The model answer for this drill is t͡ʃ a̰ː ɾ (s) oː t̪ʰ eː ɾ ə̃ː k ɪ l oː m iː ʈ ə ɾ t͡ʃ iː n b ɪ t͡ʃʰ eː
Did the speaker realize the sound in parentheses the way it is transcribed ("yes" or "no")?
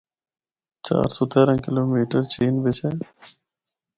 yes